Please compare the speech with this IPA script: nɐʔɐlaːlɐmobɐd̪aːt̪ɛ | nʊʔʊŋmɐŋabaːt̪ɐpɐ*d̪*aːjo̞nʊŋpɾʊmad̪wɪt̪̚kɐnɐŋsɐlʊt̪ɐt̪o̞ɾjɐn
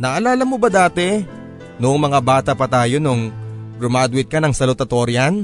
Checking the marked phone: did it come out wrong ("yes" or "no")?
yes